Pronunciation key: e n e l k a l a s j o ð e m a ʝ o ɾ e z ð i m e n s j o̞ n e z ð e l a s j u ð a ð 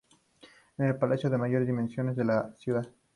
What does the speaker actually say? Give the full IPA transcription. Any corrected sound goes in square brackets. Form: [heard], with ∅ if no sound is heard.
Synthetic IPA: e n e l [p] a l a s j o ð e m a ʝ o ɾ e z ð i m e n s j o̞ n e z ð e l a s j u ð a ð